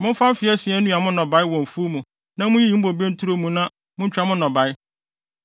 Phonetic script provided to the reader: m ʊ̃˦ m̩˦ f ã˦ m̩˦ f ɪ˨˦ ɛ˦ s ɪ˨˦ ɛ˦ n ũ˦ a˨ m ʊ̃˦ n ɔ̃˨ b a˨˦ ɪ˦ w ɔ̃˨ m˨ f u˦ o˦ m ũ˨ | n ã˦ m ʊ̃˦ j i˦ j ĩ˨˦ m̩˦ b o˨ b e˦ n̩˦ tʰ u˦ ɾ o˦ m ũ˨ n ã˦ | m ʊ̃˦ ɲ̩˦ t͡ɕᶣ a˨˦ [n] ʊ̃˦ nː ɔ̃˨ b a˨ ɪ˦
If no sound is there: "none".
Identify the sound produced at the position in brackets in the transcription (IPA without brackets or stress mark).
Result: m